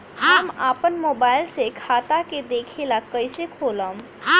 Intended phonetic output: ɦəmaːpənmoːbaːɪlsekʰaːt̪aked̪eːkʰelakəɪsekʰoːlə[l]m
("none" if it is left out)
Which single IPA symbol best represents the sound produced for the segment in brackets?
none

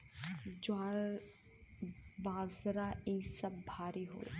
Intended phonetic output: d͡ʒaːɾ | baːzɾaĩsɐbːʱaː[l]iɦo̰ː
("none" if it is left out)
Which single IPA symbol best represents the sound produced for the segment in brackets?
ɾ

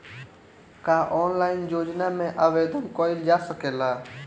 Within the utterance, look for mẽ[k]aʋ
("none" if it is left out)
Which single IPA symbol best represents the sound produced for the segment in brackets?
ʔ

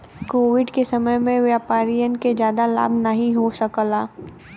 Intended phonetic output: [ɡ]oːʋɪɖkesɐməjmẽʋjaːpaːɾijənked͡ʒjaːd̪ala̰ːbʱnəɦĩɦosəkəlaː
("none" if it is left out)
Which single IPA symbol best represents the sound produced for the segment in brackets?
k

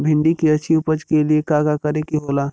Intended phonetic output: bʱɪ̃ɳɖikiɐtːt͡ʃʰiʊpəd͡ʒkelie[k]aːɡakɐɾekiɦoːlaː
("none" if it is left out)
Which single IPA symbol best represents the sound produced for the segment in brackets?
k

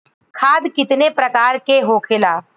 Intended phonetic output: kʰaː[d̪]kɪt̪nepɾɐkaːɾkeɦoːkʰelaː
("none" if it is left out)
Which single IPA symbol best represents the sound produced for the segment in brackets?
d̪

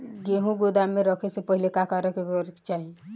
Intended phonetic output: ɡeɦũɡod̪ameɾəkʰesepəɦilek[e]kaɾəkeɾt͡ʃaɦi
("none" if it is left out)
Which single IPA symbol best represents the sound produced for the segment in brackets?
a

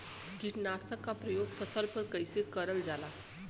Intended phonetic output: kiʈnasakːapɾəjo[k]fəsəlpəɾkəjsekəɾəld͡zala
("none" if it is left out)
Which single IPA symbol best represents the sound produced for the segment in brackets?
ɡ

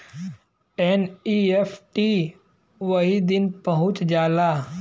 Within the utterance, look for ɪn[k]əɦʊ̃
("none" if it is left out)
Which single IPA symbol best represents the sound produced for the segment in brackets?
p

